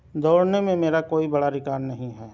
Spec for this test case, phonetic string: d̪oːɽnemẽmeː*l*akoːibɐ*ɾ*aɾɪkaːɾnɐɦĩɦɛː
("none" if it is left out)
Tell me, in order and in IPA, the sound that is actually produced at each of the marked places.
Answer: ɾ, ɽ

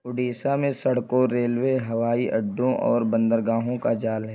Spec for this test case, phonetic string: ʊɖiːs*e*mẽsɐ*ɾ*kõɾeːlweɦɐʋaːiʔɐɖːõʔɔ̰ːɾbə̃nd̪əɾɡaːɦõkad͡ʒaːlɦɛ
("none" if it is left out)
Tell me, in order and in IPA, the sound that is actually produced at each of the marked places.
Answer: a, ɽ

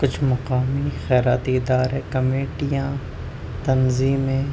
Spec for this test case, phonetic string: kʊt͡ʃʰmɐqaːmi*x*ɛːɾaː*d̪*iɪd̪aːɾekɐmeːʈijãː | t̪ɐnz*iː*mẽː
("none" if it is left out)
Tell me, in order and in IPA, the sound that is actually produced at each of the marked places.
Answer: x, t̪, iː

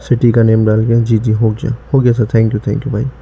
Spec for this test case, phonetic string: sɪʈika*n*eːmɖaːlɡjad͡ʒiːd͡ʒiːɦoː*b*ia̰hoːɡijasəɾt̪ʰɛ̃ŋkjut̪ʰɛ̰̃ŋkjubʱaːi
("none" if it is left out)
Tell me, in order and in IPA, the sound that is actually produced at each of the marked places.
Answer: n, ɡ

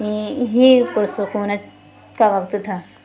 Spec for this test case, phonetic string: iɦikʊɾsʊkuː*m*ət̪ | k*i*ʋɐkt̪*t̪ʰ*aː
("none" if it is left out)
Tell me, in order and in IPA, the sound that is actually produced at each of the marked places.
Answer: n, a, t̪ʰ

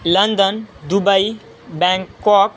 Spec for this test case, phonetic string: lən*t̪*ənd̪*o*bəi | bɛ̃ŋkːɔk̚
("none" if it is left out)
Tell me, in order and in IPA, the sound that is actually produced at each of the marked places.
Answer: d̪, u

